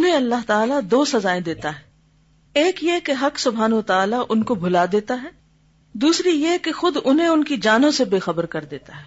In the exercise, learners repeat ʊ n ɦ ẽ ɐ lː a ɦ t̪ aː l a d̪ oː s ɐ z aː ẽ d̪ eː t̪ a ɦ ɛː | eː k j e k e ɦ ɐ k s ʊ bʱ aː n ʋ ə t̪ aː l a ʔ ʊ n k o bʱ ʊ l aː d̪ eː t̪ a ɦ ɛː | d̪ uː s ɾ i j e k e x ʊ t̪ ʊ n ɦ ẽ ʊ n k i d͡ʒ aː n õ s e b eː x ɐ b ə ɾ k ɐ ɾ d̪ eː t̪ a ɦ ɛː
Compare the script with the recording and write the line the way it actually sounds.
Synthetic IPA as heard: ʊ n ɦ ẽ ɐ lː a ɦ t̪ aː l a d̪ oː s ɐ z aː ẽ d̪ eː t̪ a ɦ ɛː | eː k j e k e ɦ ɐ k s ʊ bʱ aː n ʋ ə t̪ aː l a ʔ ʊ n k o bʱ ʊ l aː d̪ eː t̪ a ɦ ɛː | d̪ uː s ɾ i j e k e x ʊ d̪ ʊ n ɦ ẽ ʊ n k i d͡ʒ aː n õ s e b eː x ɐ b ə ɾ k ɐ ɾ d̪ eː t̪ a ɦ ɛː